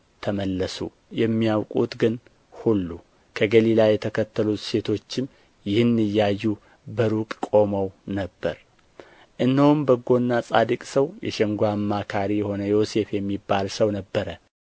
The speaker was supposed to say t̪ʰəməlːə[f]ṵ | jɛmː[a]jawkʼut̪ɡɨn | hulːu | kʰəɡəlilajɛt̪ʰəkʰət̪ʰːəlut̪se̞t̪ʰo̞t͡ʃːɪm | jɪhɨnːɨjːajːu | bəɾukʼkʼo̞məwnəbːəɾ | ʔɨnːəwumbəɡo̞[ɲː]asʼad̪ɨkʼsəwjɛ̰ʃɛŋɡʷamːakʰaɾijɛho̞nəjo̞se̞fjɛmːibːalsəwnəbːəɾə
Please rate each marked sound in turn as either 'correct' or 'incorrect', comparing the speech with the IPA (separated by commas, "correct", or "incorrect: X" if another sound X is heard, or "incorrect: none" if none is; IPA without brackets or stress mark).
incorrect: s, incorrect: i, incorrect: nː